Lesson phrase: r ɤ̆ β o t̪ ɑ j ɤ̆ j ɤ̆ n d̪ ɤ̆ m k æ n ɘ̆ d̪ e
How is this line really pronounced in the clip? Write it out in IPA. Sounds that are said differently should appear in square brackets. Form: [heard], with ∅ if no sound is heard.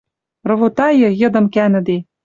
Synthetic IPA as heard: r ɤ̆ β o t̪ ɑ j ɤ̆ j ɤ̆ [∅] d̪ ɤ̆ m k æ n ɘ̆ d̪ e